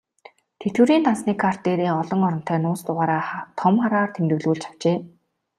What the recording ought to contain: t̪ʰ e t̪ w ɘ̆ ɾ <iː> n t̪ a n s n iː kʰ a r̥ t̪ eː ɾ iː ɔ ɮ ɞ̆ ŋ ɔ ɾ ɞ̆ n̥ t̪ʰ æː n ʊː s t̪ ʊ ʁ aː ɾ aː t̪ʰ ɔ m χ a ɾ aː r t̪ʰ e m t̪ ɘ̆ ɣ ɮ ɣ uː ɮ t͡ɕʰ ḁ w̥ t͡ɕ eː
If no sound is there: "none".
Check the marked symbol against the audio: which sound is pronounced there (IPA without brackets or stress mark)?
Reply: iː